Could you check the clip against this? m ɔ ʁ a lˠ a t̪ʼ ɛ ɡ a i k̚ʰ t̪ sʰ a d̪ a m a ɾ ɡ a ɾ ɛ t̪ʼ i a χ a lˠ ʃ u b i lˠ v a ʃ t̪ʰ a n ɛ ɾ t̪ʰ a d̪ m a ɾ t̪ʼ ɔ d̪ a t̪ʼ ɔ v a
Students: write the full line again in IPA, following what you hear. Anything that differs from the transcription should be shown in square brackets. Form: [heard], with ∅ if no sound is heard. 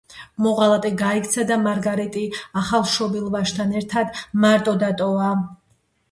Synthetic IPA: m ɔ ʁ a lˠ a t̪ʼ ɛ ɡ a i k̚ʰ t̪ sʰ a d̪ a m a ɾ ɡ a ɾ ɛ t̪ʼ i a χ a lˠ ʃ [ɔ] b i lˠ v a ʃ t̪ʰ a n ɛ ɾ t̪ʰ a d̪ m a ɾ t̪ʼ ɔ d̪ a t̪ʼ ɔ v a